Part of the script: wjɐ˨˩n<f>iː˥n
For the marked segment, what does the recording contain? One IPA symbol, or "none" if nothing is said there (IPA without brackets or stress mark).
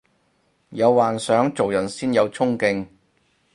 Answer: s